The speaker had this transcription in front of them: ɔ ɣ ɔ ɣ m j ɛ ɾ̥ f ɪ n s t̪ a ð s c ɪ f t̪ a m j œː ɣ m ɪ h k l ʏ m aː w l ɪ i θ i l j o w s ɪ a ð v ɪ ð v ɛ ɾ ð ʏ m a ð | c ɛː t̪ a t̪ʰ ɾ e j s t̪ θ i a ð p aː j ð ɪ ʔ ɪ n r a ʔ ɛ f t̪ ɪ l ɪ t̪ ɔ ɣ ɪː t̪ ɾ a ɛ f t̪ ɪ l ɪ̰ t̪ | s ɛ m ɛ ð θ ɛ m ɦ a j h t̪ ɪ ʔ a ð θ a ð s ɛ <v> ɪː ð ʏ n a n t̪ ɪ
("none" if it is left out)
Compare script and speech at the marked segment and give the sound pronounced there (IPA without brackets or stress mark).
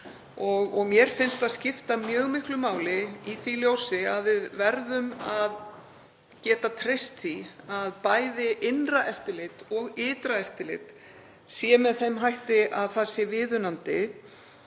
v